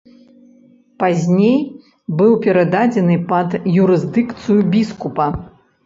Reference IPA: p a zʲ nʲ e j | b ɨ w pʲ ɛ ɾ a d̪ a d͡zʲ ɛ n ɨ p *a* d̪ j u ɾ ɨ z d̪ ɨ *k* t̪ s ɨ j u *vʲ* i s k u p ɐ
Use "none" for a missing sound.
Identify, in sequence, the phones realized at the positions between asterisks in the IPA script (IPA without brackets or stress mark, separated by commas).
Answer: ɐ, k, bʲ